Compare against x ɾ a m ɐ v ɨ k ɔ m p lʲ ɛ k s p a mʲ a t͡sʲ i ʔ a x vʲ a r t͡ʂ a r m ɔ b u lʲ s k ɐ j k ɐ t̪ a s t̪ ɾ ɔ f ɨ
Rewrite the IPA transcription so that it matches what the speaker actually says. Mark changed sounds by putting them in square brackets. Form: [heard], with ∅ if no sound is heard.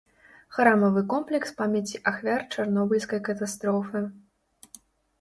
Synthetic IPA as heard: x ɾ a m ɐ v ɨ k ɔ m p lʲ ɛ k s p a mʲ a t͡sʲ i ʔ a x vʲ a r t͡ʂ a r [n] ɔ b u lʲ s k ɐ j k ɐ t̪ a s t̪ ɾ ɔ f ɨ